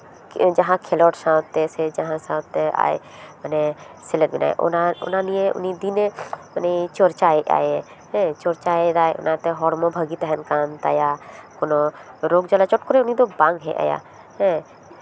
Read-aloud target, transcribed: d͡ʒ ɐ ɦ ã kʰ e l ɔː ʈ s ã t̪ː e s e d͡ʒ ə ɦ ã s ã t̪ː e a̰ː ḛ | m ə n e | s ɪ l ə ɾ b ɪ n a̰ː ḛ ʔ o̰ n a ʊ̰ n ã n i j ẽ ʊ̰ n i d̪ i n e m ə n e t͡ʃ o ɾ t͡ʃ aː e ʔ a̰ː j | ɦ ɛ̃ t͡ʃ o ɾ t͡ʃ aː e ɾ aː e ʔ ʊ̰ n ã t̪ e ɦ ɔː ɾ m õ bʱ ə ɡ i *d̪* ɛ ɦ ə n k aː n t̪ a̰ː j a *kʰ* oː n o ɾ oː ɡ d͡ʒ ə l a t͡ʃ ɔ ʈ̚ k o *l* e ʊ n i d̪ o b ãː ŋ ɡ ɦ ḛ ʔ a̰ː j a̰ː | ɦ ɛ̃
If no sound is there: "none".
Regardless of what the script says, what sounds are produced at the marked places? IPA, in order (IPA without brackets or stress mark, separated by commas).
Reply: t̪, k, ɾ